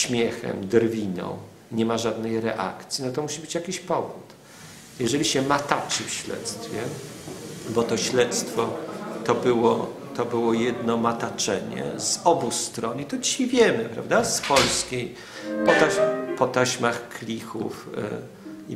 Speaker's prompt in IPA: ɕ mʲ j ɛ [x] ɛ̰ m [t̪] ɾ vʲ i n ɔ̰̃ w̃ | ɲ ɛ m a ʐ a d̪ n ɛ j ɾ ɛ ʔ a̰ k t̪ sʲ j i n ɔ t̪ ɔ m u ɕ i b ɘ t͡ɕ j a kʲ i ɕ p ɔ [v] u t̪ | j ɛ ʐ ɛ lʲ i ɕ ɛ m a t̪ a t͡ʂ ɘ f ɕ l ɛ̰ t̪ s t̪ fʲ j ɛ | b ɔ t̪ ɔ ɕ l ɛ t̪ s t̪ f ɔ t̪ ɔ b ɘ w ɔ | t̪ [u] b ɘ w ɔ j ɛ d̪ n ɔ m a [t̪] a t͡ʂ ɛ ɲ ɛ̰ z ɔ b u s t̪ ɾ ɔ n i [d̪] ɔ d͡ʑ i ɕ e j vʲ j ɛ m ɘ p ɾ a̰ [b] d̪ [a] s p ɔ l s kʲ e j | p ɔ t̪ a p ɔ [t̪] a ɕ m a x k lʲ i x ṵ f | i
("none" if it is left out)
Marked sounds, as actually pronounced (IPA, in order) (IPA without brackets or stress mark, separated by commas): x, d̪, v, ɔ, t̪, t̪, v, a, t̪